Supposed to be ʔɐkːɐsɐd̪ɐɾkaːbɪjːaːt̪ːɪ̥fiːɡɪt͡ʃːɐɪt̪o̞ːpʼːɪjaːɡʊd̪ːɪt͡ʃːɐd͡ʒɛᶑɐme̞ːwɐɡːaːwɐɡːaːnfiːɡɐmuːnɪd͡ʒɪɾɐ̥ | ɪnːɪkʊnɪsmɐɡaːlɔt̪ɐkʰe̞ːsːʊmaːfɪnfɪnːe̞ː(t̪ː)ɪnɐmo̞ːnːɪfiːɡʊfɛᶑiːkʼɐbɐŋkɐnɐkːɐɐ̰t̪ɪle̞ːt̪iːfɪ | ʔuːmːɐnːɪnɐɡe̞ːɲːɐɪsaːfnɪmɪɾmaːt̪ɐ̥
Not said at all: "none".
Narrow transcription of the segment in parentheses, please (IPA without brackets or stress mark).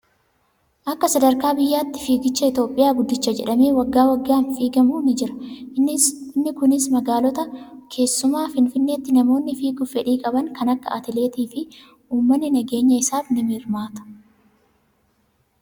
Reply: t̪ː